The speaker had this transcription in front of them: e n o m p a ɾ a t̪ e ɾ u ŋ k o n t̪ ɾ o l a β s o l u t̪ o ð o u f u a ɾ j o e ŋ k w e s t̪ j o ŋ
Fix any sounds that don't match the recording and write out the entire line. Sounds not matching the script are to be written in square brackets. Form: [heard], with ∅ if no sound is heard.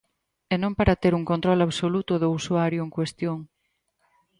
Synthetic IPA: e n [õ] m p a ɾ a t̪ e ɾ u ŋ k o n t̪ ɾ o l a β s o l u t̪ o ð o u [s] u a ɾ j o e ŋ k w e s t̪ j o ŋ

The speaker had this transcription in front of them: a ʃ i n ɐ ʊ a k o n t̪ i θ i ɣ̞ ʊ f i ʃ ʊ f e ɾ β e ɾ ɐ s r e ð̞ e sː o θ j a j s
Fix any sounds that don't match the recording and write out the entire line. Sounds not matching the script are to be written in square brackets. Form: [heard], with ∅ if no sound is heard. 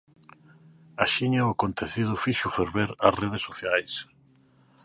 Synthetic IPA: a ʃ i [ɲ] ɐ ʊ a k o n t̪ [e] θ i [ð̞] ʊ f i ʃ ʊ f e ɾ β e ɾ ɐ s r e ð̞ e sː o θ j a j s

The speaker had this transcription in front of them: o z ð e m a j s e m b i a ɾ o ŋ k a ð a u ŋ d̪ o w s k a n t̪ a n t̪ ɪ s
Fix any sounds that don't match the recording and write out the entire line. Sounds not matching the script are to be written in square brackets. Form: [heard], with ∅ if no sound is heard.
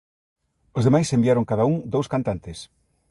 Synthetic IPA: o z ð e m a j s e m b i a ɾ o ŋ k a ð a u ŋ d̪ o w s k a n t̪ a n t̪ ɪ s

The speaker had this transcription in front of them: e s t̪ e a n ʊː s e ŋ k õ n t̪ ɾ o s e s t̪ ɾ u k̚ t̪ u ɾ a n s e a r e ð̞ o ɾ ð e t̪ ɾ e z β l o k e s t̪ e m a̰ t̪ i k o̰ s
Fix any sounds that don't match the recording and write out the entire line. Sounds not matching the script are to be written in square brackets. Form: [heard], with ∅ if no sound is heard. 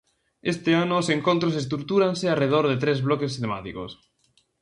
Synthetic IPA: e s t̪ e a n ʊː s e ŋ k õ n t̪ ɾ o s e s t̪ ɾ u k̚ t̪ u ɾ a n s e a r e ð̞ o ɾ ð e t̪ ɾ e z β l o k e s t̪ e m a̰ t̪ i k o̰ s

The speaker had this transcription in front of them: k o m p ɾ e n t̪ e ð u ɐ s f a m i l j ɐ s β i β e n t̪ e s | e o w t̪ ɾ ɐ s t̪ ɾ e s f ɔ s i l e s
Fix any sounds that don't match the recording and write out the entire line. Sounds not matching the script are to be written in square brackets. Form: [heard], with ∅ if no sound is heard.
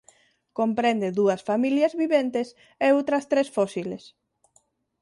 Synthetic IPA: k o m p ɾ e n [d̪] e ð u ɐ s f a m i l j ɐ [z] β i β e n t̪ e s | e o w t̪ ɾ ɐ s t̪ ɾ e s f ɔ s i l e s

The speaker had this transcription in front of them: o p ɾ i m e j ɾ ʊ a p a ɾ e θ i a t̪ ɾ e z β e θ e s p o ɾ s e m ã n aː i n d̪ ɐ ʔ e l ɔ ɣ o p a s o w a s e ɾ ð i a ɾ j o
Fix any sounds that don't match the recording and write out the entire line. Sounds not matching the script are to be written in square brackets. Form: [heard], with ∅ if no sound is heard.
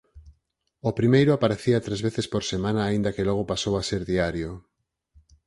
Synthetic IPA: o p ɾ i m e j ɾ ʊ a p a ɾ e θ i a t̪ ɾ e z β e θ e s p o ɾ s e m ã n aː i n d̪ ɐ [k] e l ɔ ɣ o p a s o w a s e ɾ ð i a ɾ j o

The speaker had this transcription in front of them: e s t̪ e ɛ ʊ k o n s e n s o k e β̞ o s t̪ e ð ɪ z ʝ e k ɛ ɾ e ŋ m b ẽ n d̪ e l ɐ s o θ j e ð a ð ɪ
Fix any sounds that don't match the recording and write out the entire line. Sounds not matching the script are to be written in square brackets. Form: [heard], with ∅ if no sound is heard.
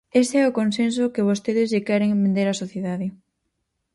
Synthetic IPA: e s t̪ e ɛ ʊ k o n s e n s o k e β̞ o s t̪ e ð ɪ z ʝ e k ɛ ɾ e ŋ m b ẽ n d̪ e [ɾ] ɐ s o θ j e ð a ð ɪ

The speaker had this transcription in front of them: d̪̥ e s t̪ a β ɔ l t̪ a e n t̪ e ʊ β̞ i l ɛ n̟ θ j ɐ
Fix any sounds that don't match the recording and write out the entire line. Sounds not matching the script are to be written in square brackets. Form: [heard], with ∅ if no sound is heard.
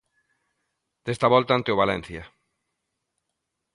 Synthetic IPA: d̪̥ e s t̪ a β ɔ l t̪ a [a] n t̪ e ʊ β̞ [a] l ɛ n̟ θ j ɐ

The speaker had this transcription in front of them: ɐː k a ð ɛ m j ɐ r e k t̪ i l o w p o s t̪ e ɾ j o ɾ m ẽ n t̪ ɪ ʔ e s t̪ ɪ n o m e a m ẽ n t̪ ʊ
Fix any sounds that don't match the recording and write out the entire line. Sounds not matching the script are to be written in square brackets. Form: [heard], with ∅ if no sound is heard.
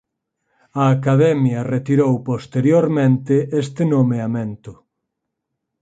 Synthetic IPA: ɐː k a ð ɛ m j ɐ r e [∅] t̪ i [ɾ] o w p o s t̪ e ɾ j o ɾ m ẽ n t̪ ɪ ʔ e s t̪ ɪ n o m e a m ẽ n t̪ ʊ

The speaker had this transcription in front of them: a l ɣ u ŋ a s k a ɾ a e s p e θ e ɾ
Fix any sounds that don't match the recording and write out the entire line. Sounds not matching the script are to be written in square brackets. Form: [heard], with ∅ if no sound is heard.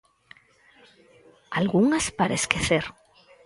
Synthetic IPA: a l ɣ u ŋ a s [p] a ɾ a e s [k] e θ e ɾ

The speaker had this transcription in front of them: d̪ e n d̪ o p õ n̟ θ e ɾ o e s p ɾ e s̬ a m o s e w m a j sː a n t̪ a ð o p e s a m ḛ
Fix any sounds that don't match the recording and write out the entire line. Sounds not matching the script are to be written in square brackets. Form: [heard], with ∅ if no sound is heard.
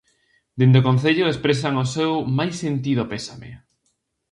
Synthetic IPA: d̪ e n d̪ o [k] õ n̟ θ e [ʎ] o e s p ɾ e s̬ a [ŋ] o s e w m a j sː [e] n t̪ [i] ð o p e s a m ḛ

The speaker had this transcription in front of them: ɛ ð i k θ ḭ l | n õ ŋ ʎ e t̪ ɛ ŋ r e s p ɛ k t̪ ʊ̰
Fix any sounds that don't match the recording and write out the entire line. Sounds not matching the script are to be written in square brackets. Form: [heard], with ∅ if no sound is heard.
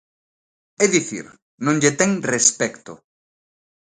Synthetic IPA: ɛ ð i [∅] θ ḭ [ɾ] | n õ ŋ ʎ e t̪ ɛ ŋ r e s p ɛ k t̪ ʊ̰

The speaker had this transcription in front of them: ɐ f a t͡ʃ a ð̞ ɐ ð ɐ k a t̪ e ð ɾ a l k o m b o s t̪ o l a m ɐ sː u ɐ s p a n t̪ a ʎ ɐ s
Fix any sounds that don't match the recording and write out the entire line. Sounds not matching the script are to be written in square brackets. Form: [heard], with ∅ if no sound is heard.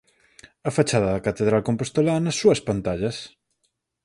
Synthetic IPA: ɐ f a t͡ʃ a ð̞ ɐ ð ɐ k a t̪ e ð ɾ a l k o m [p] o s t̪ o l a [n] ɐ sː u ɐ s p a n t̪ a ʎ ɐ s

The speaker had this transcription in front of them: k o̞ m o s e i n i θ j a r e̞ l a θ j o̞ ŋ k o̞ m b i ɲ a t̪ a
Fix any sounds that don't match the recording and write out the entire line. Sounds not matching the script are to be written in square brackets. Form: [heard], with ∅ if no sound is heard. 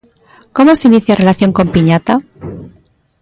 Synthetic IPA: k o̞ m o s e i n i θ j a r e̞ l a θ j o̞ ŋ k o̞ m [p] i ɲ a t̪ a

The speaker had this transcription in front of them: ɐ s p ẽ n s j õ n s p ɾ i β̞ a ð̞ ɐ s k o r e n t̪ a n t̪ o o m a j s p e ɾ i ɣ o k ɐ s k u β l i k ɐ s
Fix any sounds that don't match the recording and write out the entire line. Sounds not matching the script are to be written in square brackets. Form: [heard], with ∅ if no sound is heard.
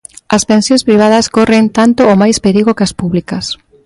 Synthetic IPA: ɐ s p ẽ n s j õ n s p ɾ i β̞ a ð̞ ɐ s k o r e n t̪ a n t̪ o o m a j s p e ɾ i ɣ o k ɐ s [p] u β l i k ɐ s

